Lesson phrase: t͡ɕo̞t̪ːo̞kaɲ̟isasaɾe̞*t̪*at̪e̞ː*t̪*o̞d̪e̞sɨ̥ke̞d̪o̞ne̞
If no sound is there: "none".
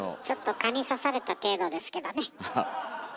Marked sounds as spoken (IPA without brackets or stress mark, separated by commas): t̪, d̪